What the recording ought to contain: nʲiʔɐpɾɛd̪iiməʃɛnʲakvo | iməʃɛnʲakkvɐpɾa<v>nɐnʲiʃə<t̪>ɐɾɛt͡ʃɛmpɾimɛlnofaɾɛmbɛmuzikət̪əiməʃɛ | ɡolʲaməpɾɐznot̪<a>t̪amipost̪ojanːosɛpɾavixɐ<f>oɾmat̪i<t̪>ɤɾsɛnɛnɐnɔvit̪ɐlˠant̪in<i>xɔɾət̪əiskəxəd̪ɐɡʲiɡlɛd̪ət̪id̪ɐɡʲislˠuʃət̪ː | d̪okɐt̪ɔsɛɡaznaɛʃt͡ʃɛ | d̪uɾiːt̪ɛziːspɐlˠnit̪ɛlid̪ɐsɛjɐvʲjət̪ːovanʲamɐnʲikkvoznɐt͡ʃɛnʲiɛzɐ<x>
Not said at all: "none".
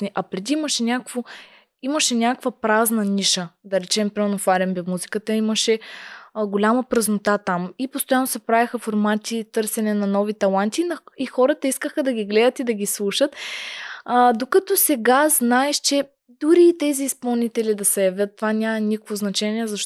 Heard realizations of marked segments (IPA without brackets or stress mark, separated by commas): z, d̪, a, f, t̪, i, ʃ